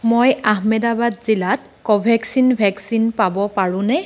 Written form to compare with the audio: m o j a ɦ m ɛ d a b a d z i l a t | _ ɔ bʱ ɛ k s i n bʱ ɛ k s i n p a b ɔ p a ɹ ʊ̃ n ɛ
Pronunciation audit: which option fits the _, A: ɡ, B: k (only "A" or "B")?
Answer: B